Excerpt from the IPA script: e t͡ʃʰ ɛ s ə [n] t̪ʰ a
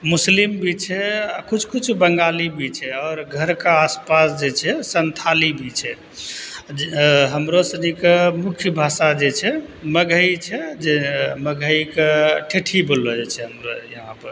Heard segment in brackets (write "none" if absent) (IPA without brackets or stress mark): n